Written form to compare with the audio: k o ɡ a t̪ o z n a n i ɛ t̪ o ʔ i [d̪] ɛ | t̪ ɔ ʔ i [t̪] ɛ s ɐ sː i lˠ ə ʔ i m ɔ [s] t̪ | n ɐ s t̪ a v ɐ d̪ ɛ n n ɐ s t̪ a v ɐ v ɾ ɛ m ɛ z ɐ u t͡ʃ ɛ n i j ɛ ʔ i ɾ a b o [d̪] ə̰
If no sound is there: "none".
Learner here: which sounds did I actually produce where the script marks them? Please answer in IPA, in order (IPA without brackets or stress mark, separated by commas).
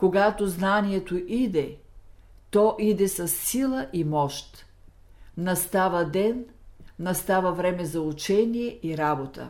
d̪, d̪, ʃ, t̪